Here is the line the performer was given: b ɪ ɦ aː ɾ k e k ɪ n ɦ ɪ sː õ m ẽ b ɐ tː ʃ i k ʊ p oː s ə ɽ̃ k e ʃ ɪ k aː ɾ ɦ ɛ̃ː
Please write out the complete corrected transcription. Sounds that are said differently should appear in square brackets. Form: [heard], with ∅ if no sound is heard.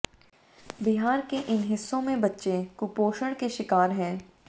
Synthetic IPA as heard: b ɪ ɦ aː ɾ k e [ʔ] ɪ n ɦ ɪ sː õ m ẽ b ɐ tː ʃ [e] k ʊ p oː [ʃ] ə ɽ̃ k e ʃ ɪ k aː ɾ ɦ ɛ̃ː